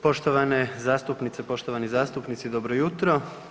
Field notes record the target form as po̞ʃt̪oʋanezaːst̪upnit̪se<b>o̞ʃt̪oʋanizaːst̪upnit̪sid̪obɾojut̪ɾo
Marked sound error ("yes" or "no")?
yes